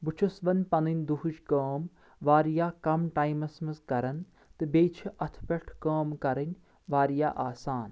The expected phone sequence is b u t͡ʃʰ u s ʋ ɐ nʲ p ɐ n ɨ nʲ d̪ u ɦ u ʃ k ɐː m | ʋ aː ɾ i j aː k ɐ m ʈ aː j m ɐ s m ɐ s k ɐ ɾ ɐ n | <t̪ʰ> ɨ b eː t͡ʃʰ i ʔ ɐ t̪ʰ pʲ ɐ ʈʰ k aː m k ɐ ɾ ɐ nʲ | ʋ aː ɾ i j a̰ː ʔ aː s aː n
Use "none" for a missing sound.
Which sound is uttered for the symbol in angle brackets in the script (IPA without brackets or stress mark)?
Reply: t̪